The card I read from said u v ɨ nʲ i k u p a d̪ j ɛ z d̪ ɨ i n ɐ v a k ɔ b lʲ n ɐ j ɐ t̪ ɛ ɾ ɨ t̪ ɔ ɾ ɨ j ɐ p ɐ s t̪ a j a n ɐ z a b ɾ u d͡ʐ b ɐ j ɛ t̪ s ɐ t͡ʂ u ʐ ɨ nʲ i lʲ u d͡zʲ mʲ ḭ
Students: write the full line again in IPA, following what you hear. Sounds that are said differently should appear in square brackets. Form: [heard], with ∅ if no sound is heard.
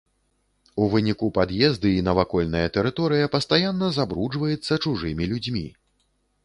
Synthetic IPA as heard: u v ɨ nʲ i k u p a d̪ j ɛ z d̪ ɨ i n ɐ v a k ɔ [∅] lʲ n ɐ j ɐ t̪ ɛ ɾ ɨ t̪ ɔ ɾ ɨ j ɐ p ɐ s t̪ a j a [nː] ɐ z a b ɾ u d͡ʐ [v] ɐ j ɛ t̪ [sː] ɐ t͡ʂ u ʐ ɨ [mʲ] i lʲ u d͡zʲ mʲ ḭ